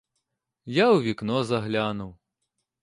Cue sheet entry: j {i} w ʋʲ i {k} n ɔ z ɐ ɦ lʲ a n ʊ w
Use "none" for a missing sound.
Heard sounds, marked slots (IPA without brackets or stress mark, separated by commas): a, k